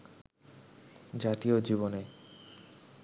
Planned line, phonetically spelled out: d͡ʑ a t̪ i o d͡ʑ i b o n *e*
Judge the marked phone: correct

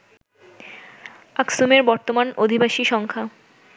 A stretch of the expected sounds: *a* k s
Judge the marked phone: correct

